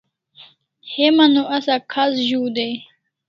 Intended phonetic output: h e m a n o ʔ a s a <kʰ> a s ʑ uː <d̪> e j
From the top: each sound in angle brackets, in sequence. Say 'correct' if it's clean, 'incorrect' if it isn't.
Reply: correct, correct

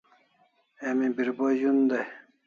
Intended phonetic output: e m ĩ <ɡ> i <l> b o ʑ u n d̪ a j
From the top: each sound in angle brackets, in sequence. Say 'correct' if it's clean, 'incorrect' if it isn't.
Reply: incorrect: b, incorrect: ɾ

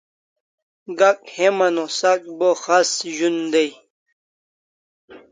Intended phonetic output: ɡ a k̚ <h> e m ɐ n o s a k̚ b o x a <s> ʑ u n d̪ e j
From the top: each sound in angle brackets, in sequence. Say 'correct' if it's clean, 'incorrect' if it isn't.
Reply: correct, correct

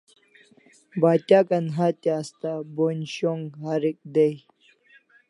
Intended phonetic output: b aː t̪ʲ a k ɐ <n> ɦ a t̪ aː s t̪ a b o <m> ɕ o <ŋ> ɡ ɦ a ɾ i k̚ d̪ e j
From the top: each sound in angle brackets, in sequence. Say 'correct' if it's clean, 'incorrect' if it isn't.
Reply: correct, incorrect: n, correct

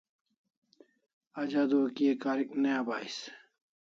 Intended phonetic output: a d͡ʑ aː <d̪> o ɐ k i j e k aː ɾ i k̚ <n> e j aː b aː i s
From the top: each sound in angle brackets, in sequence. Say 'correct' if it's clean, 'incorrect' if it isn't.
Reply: correct, correct

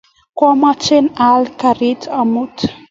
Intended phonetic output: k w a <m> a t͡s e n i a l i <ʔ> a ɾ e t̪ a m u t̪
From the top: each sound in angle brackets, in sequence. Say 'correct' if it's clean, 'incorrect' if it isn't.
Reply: correct, incorrect: k

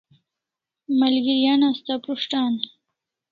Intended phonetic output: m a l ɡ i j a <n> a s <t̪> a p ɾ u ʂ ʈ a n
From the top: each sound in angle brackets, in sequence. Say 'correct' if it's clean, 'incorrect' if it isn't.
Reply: correct, correct

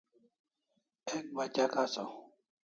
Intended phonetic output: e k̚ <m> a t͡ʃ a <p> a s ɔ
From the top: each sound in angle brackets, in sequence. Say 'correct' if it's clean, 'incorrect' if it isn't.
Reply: incorrect: b, incorrect: k

